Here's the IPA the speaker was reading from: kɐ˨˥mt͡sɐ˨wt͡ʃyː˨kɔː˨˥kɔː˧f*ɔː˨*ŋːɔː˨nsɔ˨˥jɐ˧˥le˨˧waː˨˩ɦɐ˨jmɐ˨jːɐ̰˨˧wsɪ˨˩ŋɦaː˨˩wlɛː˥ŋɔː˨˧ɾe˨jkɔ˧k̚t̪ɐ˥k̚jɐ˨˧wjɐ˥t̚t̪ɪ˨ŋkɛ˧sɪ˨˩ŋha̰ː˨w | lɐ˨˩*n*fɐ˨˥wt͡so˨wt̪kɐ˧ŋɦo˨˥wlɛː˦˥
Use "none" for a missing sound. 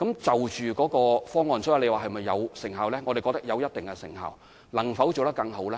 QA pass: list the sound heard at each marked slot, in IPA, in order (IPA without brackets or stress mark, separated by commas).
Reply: ɔː˥, ŋ